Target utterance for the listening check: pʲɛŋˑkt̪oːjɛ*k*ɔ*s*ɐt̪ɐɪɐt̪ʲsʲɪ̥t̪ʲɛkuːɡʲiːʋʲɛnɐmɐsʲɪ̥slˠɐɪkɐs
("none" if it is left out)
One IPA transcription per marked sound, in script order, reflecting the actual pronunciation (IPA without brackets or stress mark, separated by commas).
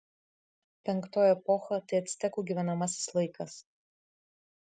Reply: p, x